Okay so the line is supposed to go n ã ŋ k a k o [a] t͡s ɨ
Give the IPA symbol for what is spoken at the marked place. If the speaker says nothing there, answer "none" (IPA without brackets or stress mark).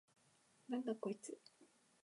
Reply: i